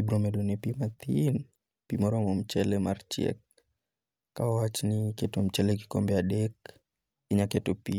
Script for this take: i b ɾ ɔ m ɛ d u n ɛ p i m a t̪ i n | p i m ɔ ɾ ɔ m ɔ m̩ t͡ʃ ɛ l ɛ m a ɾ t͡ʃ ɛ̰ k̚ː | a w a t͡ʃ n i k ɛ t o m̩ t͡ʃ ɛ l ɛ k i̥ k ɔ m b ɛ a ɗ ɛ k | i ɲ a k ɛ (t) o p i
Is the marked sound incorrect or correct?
correct